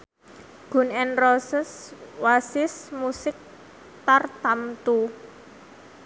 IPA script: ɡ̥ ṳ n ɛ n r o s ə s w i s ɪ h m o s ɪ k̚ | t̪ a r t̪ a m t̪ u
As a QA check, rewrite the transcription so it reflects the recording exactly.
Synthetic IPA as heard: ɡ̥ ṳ n ɛ n r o s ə s w a s ɪ s m u s ɪ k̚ | t̪ a r t̪ a m t̪ u